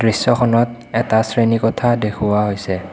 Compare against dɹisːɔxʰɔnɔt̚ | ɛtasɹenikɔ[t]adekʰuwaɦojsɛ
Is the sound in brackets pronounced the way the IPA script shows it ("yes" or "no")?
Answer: no